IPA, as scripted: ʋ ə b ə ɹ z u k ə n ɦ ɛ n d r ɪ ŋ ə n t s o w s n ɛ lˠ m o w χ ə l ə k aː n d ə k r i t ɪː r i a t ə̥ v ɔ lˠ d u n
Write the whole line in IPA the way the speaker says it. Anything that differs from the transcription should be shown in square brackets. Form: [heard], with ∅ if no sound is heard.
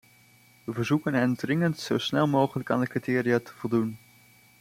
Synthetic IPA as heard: ʋ ə [v] ə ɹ z u k ə n ɦ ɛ n d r ɪ ŋ ə n t s o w s n ɛ lˠ m o w χ ə l ə k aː n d ə k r i t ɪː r i a t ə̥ v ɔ lˠ d u n

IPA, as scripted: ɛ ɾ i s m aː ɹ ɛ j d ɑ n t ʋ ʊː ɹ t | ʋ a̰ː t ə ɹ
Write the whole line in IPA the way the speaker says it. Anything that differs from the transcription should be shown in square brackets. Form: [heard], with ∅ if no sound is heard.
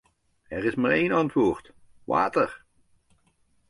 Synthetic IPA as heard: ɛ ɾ [ɪ] s m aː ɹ [e] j [n] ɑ n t ʋ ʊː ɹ t | ʋ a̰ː t ə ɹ

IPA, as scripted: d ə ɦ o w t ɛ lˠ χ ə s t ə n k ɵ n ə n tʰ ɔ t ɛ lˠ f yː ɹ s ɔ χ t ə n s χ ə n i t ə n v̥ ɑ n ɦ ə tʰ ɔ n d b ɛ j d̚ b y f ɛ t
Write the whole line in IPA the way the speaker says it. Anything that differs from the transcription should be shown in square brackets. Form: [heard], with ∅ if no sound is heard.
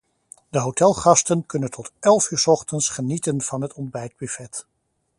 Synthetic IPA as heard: d ə ɦ o w t ɛ lˠ χ [ɑ] s t ə n k ɵ n ə n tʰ ɔ t ɛ lˠ f yː ɹ s ɔ χ t ə n s χ ə n i t ə n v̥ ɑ n ɦ ə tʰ ɔ n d b ɛ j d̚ b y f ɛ t

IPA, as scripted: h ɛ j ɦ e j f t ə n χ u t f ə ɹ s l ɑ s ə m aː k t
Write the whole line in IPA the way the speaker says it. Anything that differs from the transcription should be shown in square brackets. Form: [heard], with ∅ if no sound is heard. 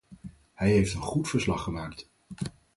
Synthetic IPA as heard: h ɛ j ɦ e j f t ə n χ u t f ə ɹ s l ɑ [χ] ə m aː k t

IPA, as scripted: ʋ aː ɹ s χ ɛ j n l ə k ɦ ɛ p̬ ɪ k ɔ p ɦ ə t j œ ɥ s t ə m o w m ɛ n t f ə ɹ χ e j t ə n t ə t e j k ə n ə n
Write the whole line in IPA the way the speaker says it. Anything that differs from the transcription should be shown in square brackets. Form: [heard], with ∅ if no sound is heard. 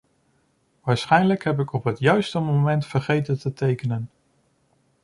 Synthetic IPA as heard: ʋ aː ɹ s χ ɛ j n l ə k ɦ ɛ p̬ ɪ k ɔ p ɦ ə t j œ ɥ s t ə m o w m ɛ n t f ə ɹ χ e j t ə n t ə t e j k ə n ə n

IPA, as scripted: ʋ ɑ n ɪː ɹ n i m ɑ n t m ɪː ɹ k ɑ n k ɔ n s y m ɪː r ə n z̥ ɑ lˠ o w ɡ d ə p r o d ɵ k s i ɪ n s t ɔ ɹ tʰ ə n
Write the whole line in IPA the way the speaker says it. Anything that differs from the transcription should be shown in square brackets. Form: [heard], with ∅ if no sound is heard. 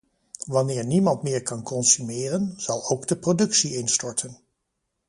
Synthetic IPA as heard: ʋ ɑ n ɪː ɹ n i m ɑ n t m ɪː ɹ k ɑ n k ɔ n s y m ɪː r ə n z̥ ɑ lˠ o w ɡ d ə p r o d ɵ k s i ɪ n s t ɔ ɹ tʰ ə n

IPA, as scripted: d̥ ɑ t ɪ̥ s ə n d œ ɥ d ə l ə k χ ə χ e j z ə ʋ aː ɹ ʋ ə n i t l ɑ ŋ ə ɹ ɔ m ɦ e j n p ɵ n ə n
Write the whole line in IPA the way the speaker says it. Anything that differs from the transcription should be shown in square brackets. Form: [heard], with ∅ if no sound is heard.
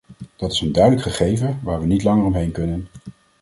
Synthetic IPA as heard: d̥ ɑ t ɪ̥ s ə n d œ ɥ d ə l ə k χ ə χ e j [v] ə ʋ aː ɹ ʋ ə n i t l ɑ ŋ ə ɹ ɔ m ɦ e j n [k] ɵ n ə n

